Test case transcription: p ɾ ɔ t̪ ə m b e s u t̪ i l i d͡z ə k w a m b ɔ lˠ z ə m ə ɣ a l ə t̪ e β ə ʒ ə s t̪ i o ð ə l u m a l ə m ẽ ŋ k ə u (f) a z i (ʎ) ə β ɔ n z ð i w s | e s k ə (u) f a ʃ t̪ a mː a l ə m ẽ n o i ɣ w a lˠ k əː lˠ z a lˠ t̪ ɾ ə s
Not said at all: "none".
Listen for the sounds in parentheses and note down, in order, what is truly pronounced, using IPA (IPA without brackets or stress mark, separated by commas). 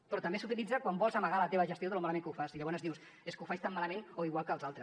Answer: f, ʎ, u